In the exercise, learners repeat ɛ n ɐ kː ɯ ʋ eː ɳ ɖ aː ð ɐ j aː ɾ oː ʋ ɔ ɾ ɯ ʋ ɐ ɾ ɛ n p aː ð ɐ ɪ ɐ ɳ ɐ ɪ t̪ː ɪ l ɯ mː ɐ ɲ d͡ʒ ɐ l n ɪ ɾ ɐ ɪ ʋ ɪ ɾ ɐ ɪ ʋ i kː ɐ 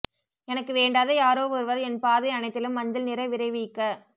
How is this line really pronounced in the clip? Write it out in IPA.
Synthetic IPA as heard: ɛ n ɐ kː ɯ ʋ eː ɳ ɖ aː ð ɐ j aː ɾ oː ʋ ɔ ɾ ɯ ʋ ɐ ɾ ɛ n p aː ð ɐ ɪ ɐ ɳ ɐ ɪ t̪ː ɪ l ɯ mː ɐ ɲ d͡ʒ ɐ l n ɪ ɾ ɐ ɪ ʋ ɪ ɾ ɐ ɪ ʋ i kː ɐ